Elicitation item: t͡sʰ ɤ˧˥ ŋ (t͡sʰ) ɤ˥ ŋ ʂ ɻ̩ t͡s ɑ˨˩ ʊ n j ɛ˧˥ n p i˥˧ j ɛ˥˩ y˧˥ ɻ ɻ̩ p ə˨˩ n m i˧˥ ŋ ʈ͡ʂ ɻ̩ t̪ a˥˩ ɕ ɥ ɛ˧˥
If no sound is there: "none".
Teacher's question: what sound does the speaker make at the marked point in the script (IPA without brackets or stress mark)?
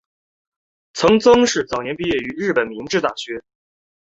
t͡s